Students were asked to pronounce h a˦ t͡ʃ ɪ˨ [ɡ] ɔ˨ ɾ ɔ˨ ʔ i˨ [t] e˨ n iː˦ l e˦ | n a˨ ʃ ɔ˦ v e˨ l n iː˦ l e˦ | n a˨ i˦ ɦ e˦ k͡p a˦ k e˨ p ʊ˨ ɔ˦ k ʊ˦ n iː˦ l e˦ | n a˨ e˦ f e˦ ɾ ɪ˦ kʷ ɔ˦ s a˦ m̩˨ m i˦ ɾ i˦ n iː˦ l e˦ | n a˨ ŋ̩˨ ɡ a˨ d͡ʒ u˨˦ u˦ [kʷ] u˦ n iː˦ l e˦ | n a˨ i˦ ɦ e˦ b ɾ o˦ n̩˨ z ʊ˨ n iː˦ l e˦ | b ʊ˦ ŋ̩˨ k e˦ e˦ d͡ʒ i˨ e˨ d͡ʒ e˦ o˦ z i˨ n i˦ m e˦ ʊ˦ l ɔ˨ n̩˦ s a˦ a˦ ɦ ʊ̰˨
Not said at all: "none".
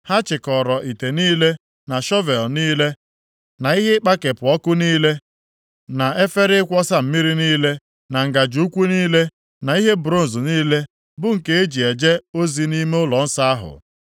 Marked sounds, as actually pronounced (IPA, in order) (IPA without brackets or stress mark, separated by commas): k, t, kʷ